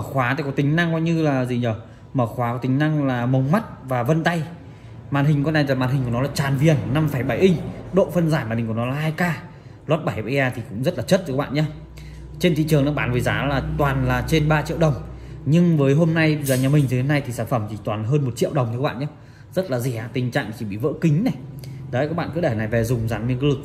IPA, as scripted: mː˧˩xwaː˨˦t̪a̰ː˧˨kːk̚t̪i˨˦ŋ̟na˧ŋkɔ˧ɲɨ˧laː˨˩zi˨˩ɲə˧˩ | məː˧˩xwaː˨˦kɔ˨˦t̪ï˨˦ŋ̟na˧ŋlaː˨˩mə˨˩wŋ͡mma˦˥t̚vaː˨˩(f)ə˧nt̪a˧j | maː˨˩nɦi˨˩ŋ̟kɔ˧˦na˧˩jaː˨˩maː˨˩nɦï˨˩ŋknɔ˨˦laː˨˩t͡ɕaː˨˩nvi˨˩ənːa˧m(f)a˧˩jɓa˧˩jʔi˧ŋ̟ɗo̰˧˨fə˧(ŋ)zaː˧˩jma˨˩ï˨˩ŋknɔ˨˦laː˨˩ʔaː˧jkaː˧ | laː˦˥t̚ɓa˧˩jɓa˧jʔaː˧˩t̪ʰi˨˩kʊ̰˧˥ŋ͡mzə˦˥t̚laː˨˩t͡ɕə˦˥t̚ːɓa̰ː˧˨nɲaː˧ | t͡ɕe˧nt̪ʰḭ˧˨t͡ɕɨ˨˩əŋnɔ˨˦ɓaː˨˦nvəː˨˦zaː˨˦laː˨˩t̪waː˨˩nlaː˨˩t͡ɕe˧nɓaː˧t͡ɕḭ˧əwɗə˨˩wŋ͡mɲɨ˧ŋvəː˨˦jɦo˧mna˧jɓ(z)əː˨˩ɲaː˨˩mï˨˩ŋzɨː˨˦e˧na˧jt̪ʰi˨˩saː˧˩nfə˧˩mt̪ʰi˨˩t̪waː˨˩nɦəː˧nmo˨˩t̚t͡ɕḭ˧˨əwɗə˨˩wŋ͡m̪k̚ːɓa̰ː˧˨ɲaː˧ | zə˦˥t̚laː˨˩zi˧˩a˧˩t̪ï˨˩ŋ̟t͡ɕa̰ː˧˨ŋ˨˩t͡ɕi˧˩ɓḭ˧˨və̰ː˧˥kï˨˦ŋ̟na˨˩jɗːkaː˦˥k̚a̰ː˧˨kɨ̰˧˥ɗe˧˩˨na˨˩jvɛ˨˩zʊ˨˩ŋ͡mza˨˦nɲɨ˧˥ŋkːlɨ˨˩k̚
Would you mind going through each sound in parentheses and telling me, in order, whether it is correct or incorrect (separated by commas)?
incorrect, correct, incorrect, correct